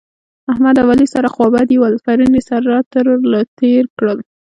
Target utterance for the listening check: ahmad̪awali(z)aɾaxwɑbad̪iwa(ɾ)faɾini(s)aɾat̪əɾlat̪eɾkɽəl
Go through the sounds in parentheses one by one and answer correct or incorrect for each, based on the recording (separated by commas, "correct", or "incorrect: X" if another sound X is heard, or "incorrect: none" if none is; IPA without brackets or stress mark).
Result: incorrect: s, incorrect: l, correct